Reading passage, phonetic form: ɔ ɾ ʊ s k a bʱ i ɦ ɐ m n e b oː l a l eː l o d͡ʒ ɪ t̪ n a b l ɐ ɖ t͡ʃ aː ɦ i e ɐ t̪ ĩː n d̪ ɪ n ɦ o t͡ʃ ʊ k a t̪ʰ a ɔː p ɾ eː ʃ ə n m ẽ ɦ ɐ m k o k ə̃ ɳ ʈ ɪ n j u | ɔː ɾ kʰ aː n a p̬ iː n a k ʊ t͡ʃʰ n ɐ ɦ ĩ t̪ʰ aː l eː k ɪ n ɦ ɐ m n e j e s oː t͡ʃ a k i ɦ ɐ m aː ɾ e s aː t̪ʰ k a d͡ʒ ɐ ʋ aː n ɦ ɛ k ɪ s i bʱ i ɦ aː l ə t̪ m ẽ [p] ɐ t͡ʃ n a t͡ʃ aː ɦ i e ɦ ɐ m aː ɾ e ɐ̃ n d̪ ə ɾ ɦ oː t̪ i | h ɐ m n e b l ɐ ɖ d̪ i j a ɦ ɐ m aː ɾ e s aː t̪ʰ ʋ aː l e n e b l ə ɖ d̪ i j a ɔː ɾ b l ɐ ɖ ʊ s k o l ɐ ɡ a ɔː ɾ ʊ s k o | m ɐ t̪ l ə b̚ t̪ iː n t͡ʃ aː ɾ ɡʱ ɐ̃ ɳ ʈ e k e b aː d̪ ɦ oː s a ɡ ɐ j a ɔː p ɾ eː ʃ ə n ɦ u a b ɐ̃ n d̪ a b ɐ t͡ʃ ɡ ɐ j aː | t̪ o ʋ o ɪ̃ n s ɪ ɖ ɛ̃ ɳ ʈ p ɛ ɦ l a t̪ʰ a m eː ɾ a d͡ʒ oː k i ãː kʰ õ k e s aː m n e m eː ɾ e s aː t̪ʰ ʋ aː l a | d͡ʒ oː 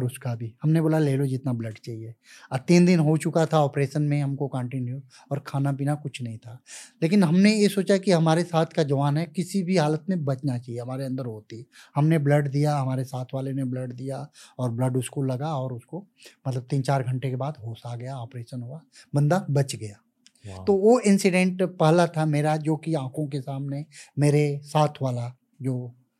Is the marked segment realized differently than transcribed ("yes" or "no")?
yes